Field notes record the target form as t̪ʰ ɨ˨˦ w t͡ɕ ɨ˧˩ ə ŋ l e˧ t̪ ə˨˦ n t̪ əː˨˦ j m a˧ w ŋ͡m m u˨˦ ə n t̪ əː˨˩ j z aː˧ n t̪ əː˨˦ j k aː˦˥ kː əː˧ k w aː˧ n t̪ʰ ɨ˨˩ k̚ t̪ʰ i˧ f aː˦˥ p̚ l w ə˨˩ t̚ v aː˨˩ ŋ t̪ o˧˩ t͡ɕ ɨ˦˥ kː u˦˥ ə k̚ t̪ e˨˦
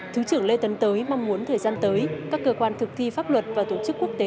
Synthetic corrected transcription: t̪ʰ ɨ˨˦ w t͡ɕ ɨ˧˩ ə ŋ l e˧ t̪ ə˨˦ n t̪ əː˨˦ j m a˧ w ŋ͡m m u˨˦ ə n t̪ʰ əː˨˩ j z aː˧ n t̪ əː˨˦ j k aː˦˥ kː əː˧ k w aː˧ n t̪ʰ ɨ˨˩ k̚ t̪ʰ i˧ f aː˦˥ p̚ l w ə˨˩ t̚ v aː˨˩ t̪ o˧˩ t͡ɕ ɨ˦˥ kː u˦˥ ə k̚ t̪ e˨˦